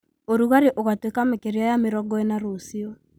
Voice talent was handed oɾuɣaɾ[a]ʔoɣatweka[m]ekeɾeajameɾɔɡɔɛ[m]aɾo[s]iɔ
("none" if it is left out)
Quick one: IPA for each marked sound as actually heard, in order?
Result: e, m, n, s

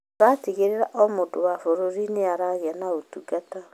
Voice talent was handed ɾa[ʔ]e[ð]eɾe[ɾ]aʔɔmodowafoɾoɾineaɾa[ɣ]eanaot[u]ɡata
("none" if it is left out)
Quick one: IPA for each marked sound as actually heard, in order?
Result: t, ɣ, ɾ, ɣ, u

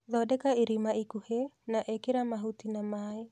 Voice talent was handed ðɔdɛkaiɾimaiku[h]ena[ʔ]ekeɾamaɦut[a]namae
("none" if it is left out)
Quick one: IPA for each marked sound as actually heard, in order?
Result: h, ʔ, i

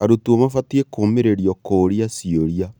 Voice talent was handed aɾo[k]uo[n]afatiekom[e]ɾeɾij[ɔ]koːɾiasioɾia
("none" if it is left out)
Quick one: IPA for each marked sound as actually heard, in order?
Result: t, m, e, ɔ

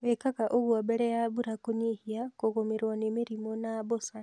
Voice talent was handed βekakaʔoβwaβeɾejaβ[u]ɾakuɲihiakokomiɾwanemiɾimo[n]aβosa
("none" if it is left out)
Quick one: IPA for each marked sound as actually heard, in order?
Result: u, n

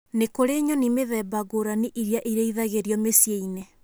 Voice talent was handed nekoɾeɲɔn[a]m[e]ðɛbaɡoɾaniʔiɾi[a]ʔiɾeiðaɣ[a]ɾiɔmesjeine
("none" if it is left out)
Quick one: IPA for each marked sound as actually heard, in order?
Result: i, e, a, e

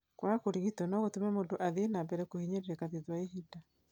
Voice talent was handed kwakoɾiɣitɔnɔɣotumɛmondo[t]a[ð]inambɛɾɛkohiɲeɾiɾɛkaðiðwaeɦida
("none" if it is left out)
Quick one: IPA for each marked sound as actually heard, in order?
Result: ʔ, ð

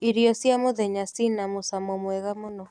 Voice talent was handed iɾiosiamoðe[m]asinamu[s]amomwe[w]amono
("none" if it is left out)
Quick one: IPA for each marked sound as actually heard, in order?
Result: ɲ, s, ɣ

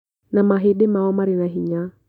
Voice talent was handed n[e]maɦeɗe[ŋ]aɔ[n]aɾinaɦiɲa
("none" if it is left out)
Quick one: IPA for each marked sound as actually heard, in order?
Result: a, m, m

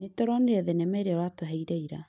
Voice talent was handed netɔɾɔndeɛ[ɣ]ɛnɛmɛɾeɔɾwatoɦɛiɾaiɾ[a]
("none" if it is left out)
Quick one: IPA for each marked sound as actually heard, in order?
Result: ð, a

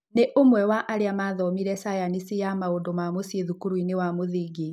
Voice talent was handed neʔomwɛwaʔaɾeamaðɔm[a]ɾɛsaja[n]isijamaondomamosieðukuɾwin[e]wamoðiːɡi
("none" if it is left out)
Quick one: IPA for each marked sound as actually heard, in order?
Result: i, n, e

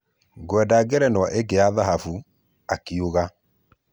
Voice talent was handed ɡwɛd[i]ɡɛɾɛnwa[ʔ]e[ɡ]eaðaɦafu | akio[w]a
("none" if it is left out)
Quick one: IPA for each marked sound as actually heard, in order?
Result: a, ʔ, ɡ, ɣ

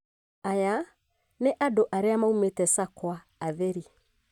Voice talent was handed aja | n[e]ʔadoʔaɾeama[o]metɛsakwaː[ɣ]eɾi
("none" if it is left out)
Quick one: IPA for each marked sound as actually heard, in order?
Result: e, u, ð

